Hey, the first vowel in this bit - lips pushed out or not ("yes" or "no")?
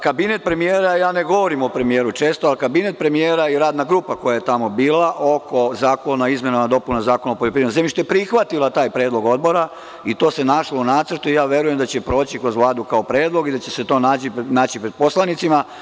no